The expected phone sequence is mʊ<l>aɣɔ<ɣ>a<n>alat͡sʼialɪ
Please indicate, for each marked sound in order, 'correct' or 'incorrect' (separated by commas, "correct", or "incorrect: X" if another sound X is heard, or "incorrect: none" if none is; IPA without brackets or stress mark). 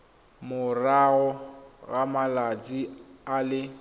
incorrect: r, correct, incorrect: m